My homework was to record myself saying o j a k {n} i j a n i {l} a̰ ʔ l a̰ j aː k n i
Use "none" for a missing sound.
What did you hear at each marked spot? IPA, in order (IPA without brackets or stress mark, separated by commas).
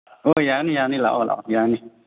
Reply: n, l